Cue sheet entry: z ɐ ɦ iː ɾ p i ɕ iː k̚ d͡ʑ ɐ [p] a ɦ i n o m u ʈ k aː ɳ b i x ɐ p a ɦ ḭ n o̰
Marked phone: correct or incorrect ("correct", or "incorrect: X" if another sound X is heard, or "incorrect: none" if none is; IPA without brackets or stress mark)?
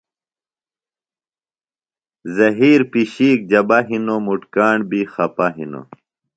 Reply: incorrect: b